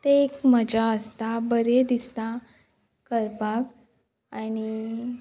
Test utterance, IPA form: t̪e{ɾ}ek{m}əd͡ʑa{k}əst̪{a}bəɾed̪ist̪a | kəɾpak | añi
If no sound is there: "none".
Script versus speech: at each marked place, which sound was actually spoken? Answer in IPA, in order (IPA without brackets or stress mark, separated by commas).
none, m, none, a